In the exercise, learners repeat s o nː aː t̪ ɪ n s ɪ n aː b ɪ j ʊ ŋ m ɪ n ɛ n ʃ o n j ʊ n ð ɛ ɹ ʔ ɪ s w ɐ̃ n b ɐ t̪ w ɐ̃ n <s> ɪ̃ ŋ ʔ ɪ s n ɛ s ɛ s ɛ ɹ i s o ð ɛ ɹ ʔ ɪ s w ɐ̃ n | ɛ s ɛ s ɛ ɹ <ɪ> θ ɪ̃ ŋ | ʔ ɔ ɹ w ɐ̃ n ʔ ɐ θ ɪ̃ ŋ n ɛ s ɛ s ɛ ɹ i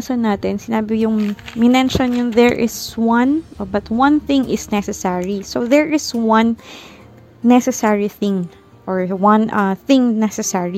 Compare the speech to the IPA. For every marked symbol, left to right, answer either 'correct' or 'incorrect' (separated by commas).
incorrect, incorrect